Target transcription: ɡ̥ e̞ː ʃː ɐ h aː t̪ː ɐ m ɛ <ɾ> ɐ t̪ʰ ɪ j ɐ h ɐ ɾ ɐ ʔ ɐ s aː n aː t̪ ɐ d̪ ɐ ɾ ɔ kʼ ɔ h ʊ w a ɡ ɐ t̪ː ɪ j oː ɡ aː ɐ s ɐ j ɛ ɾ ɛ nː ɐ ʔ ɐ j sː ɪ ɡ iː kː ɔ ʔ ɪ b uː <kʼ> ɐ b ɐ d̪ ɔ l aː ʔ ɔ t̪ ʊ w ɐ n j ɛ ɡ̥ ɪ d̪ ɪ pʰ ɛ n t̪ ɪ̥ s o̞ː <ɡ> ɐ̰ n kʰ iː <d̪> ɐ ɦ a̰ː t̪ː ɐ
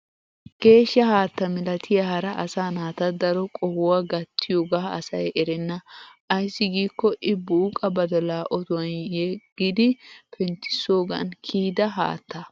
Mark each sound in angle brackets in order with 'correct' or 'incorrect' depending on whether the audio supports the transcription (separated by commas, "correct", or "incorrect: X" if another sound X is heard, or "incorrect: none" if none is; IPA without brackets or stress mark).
incorrect: l, correct, correct, correct